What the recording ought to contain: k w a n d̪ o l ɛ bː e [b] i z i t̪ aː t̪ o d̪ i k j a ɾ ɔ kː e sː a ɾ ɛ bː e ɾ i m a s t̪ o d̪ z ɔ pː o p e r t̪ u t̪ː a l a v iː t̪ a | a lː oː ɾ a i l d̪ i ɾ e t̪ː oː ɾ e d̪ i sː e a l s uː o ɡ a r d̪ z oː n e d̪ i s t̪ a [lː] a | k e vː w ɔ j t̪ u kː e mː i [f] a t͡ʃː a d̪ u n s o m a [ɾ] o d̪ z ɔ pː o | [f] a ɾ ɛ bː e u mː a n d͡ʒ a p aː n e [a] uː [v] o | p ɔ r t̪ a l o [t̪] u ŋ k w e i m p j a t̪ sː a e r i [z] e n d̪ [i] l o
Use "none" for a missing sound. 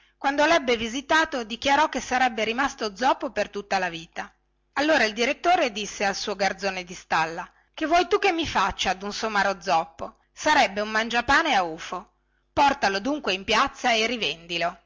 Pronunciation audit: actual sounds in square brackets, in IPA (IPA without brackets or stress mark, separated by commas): v, lː, f, ɾ, s, a, f, d̪, v, i